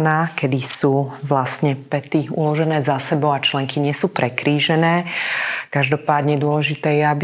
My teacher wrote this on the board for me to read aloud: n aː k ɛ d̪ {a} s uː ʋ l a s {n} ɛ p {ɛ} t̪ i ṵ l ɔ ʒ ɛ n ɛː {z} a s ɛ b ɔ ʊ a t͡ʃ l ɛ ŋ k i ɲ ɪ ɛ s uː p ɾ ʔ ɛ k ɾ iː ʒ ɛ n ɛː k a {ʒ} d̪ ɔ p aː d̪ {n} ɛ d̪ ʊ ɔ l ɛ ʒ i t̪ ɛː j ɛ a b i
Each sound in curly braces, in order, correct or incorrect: incorrect, incorrect, correct, correct, correct, incorrect

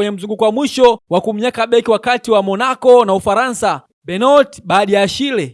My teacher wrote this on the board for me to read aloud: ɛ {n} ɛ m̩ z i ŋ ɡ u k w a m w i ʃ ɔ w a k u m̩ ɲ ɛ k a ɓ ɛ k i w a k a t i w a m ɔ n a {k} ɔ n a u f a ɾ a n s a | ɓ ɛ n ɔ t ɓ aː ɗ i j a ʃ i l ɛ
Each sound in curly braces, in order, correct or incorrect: incorrect, correct

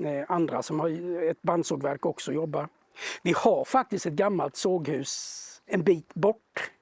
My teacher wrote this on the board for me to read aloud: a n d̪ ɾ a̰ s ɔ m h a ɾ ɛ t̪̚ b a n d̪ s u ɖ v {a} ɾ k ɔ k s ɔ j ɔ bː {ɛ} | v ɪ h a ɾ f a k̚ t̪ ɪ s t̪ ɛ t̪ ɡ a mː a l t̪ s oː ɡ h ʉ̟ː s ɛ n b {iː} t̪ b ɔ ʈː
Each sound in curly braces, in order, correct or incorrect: incorrect, incorrect, correct

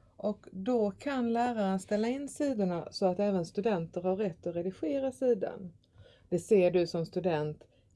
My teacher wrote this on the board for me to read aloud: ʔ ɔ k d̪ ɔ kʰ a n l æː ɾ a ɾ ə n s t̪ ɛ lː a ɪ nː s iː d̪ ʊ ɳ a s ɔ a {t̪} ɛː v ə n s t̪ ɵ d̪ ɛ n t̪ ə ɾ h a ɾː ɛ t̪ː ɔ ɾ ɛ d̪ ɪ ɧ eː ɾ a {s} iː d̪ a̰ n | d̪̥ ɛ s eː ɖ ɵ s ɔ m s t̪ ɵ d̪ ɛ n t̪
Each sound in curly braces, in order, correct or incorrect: correct, correct

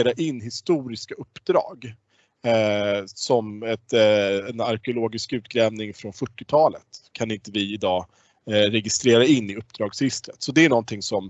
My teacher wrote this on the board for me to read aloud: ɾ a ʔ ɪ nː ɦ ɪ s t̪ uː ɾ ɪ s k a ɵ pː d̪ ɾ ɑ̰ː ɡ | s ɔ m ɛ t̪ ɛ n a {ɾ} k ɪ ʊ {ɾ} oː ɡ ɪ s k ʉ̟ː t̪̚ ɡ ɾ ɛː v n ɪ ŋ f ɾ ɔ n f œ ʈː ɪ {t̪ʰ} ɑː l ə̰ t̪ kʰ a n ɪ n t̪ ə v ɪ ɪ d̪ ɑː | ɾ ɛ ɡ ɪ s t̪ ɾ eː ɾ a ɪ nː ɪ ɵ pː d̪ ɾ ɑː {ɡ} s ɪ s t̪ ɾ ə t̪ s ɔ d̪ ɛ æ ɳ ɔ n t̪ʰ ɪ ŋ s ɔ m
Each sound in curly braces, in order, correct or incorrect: correct, incorrect, correct, correct

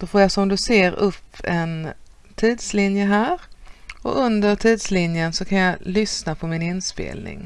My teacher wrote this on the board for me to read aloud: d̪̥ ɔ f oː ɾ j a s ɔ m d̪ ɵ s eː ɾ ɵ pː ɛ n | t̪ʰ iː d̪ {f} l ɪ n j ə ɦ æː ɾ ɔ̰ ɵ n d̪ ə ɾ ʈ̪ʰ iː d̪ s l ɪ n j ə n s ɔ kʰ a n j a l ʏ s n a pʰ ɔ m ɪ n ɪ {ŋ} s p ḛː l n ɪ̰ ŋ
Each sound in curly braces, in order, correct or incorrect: incorrect, incorrect

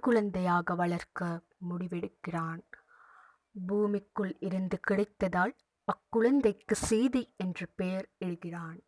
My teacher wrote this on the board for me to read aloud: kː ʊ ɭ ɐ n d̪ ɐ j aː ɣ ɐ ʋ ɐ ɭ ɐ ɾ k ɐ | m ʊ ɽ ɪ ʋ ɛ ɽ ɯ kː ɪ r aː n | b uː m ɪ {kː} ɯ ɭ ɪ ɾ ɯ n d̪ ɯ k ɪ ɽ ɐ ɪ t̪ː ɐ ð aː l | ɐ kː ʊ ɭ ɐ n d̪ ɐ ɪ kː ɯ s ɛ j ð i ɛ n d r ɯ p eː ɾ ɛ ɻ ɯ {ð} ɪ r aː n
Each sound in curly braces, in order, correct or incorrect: correct, incorrect

